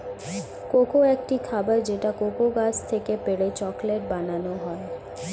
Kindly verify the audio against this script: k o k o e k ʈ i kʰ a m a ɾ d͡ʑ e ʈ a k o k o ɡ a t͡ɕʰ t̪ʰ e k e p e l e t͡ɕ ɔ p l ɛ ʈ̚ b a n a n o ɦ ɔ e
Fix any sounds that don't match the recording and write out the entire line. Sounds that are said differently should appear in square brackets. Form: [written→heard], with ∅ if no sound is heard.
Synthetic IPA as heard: k o k o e k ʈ i kʰ a [m→b] a ɾ d͡ʑ e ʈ a k o k o ɡ a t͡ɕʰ t̪ʰ e k e p e [l→ɽ] e t͡ɕ ɔ [p→k] l [ɛ→e] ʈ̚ b a n a n o ɦ ɔ e

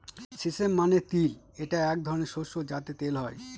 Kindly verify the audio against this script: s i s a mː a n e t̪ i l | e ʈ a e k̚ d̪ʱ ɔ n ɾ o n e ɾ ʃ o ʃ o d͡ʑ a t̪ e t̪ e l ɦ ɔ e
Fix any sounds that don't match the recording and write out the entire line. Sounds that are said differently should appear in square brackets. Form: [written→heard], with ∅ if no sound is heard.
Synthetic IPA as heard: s i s [a→e] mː a n e t̪ i l | e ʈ a [e→ɛ] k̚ d̪ʱ ɔ [n→∅] ɾ o n e ɾ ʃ o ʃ o d͡ʑ a t̪ e t̪ e l ɦ ɔ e

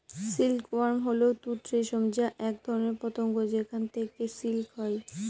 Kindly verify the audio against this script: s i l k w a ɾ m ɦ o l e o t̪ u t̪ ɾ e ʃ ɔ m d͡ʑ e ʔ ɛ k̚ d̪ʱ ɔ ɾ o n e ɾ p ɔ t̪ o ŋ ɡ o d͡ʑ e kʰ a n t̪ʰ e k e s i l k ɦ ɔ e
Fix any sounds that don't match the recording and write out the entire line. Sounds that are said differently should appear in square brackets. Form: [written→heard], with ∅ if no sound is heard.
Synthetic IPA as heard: s i l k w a ɾ m ɦ o l e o t̪ u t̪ ɾ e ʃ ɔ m d͡ʑ [e→a] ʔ ɛ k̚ d̪ʱ ɔ ɾ o n e ɾ p ɔ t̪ o ŋ ɡ o d͡ʑ e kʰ a n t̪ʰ e k e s i l k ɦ ɔ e

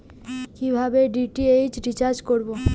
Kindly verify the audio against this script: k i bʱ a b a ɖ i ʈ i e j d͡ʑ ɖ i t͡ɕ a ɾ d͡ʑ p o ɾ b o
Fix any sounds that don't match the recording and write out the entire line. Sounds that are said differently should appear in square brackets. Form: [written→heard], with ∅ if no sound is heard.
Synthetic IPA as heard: k i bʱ a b [a→e] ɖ i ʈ i e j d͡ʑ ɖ i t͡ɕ a ɾ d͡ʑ [p→k] o ɾ b o

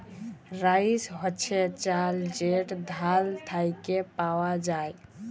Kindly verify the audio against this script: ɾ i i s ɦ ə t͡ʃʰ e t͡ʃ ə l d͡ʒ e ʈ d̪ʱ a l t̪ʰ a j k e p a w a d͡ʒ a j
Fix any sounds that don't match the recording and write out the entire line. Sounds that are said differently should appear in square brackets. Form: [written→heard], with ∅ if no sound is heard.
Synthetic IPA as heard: ɾ [i→a] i s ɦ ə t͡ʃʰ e t͡ʃ [ə→a] l d͡ʒ e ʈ d̪ʱ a l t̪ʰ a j k e p a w a d͡ʒ a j

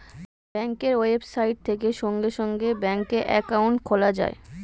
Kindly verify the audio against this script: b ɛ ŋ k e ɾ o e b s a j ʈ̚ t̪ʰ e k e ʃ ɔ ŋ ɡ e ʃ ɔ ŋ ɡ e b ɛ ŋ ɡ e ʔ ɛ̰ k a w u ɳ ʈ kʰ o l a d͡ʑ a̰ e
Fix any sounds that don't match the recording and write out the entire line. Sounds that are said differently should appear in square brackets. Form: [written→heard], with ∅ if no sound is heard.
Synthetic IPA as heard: b ɛ ŋ k e ɾ o e b s a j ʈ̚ t̪ʰ e k e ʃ ɔ ŋ ɡ e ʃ ɔ ŋ ɡ e b ɛ ŋ [ɡ→k] e ʔ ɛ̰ k a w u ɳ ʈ kʰ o l a d͡ʑ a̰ e

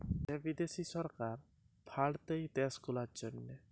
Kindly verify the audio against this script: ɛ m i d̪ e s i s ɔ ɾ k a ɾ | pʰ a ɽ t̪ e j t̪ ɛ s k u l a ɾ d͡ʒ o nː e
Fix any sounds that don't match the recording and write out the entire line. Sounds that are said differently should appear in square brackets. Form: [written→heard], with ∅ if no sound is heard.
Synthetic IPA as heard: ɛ [m→b] i d̪ e s i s ɔ ɾ k a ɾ | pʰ a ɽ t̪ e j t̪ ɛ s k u l a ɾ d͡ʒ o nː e

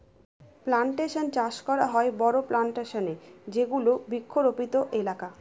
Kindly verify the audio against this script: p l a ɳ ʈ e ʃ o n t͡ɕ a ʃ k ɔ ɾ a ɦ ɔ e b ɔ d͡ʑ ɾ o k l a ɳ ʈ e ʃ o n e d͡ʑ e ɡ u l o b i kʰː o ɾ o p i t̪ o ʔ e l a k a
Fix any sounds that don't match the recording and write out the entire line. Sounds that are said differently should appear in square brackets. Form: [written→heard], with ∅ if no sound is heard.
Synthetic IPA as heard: p l a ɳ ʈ e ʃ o n t͡ɕ a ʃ k ɔ ɾ a ɦ ɔ e b ɔ [d͡ʑ→∅] ɾ o [k→p] l a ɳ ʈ e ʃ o n e d͡ʑ e ɡ u l o b i kʰː o ɾ o p i t̪ o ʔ e l a k a

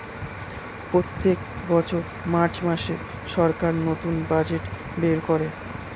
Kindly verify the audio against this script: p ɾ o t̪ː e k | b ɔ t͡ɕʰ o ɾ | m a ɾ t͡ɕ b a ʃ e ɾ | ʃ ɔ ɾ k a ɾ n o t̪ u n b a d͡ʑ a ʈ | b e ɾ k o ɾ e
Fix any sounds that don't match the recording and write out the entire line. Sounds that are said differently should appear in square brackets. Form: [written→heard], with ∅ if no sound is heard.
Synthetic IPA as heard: p ɾ o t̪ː e k | b ɔ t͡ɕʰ o ɾ | m a ɾ t͡ɕ [b→m] a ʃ e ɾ | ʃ ɔ ɾ k a ɾ n o t̪ u n b a d͡ʑ [a→e] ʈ | b e ɾ k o ɾ e

